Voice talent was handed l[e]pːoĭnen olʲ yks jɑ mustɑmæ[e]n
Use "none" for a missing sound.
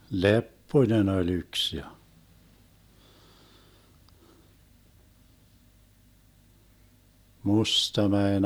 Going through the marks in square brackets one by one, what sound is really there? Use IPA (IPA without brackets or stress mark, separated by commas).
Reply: e, e